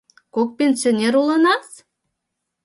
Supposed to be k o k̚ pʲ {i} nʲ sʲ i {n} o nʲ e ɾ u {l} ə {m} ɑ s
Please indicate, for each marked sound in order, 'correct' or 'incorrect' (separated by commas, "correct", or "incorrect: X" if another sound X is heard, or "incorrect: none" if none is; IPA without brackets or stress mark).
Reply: incorrect: e, incorrect: none, correct, incorrect: n